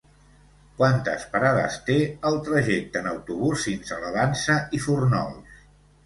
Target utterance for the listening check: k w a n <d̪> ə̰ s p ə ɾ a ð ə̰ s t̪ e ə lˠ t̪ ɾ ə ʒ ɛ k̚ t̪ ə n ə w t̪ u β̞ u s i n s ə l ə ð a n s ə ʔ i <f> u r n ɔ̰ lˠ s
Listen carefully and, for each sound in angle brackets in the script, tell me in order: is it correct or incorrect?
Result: incorrect: t̪, correct

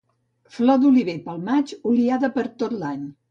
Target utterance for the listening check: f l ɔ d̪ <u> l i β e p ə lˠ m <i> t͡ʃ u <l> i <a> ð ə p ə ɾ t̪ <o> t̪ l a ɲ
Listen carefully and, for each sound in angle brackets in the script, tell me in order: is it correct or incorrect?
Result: correct, incorrect: a, correct, correct, correct

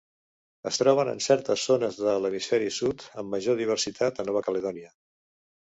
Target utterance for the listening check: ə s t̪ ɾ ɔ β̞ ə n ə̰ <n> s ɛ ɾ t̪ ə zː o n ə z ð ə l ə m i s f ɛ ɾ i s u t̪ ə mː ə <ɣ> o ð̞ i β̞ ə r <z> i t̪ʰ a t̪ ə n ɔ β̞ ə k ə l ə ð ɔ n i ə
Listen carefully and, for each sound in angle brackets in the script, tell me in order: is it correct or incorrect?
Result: correct, incorrect: ʒ, incorrect: s

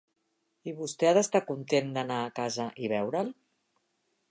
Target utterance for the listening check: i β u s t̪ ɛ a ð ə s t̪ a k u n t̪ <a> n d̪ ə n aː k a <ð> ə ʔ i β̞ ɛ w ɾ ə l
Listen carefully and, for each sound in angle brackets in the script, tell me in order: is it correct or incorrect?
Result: incorrect: e, incorrect: z

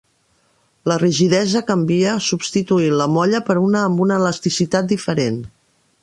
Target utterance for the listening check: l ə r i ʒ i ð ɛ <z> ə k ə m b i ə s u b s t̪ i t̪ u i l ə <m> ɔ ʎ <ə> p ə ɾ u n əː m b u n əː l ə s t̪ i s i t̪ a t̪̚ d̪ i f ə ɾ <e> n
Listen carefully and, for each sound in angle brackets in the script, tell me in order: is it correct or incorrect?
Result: correct, correct, correct, correct

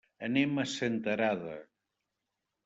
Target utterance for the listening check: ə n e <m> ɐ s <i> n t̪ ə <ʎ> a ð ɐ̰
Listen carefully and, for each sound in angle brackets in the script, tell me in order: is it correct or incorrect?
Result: correct, incorrect: e, incorrect: ɾ

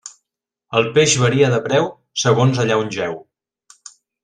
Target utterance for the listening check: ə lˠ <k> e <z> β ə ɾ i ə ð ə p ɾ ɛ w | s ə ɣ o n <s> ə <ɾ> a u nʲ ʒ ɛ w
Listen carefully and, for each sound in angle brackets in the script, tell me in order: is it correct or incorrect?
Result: incorrect: p, incorrect: ʒ, incorrect: z, incorrect: ʎ

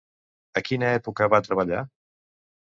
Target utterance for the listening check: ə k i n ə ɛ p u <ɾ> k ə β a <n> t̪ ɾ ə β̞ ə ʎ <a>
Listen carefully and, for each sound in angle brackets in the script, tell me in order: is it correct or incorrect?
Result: incorrect: none, incorrect: none, correct

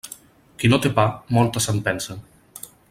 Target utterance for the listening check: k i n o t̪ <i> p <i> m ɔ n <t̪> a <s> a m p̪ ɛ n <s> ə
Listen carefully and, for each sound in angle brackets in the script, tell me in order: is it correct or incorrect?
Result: incorrect: e, incorrect: a, correct, correct, correct

